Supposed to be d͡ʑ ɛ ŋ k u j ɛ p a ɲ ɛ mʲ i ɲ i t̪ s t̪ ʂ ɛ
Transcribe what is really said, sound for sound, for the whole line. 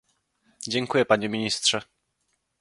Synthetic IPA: d͡ʑ ɛ ŋ k u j ɛ p a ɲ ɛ mʲ i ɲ i s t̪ ʂ ɛ